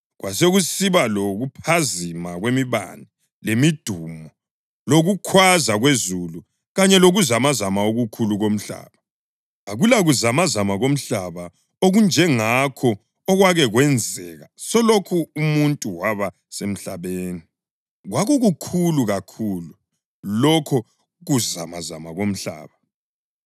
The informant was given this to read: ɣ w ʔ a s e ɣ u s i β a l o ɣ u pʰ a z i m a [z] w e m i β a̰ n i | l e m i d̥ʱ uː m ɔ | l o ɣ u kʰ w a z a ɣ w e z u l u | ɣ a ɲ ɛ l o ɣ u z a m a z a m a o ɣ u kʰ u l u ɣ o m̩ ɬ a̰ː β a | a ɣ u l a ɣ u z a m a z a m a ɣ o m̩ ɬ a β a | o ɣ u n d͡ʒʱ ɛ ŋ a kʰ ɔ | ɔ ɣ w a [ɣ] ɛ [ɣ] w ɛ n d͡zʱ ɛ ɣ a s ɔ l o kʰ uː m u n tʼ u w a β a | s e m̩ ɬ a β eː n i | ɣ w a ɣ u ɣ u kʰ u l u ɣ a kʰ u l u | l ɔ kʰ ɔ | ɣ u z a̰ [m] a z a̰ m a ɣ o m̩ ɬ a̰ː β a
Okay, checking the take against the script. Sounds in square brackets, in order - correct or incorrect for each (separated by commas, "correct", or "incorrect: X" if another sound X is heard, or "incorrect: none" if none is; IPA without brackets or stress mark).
incorrect: ɣ, correct, correct, correct